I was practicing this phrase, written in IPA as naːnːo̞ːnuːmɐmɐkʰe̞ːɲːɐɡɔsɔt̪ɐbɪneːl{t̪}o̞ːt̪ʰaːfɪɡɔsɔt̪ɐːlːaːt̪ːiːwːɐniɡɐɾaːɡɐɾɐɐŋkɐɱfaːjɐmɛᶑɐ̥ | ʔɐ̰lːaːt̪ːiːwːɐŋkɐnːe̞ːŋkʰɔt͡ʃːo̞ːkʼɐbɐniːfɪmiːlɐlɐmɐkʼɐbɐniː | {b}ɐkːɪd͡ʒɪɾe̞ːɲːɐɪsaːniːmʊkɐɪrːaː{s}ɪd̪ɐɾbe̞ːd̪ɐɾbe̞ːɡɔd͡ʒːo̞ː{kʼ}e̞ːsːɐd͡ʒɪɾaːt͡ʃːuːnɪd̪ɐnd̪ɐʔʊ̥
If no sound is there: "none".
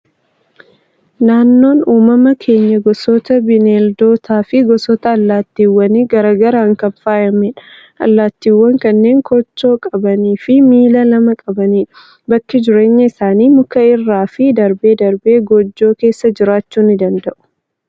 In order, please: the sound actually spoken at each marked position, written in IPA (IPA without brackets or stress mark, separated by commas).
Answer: d̪, b, f, k